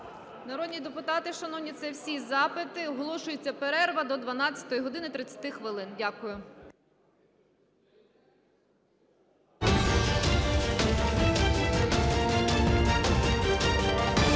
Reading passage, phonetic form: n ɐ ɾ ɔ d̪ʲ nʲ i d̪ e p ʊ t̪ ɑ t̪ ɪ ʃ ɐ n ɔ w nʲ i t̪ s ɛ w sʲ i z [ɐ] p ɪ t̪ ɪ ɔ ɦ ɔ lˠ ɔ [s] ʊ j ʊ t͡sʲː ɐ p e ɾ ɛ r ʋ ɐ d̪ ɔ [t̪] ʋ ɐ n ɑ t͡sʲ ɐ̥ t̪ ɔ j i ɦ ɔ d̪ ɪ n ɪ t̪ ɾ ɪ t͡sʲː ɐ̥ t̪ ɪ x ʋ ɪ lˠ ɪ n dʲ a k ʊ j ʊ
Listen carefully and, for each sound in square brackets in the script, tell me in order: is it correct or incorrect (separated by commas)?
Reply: incorrect, incorrect, incorrect